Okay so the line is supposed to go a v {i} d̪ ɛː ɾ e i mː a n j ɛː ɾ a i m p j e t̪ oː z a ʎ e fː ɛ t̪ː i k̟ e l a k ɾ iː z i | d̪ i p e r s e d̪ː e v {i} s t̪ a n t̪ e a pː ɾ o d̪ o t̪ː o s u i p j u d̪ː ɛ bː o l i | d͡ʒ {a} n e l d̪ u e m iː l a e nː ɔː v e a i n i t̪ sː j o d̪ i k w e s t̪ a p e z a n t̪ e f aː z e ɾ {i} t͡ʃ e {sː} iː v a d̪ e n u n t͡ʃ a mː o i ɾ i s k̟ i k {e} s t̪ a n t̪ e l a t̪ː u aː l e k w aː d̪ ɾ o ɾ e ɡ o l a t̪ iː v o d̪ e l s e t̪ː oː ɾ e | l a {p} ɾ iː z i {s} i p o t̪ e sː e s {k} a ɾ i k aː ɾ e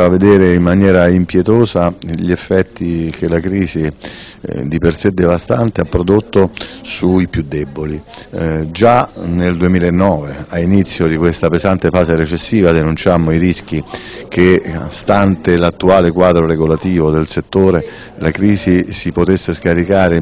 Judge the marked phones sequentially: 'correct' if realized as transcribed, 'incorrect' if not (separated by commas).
incorrect, incorrect, correct, incorrect, correct, correct, incorrect, correct, correct